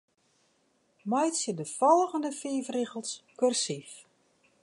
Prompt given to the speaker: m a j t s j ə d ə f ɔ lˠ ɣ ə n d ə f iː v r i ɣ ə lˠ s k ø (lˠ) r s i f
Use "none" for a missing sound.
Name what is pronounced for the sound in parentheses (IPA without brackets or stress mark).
none